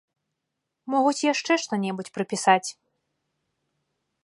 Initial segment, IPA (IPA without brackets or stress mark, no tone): m